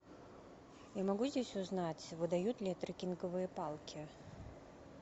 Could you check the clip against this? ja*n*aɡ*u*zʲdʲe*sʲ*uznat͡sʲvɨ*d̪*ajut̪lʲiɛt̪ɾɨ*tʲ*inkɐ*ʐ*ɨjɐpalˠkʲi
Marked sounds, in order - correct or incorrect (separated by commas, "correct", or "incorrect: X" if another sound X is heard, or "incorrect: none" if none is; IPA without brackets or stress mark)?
incorrect: m, correct, correct, correct, incorrect: kʲ, incorrect: v